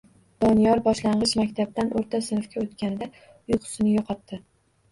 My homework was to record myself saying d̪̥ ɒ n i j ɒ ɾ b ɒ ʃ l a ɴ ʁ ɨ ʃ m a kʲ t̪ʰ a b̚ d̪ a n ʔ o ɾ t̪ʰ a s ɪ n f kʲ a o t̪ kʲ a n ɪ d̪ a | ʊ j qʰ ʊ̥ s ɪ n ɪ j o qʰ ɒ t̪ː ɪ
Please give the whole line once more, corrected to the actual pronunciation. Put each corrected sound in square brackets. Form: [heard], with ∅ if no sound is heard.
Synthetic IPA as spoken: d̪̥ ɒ n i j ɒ ɾ b ɒ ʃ l a ɴ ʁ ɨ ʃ m a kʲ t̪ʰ a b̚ d̪ a n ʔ o ɾ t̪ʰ a s ɪ n f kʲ a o t̪ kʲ a n ɪ d̪ a | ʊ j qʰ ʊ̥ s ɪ n ɪ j [ɒ] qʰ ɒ t̪ː ɪ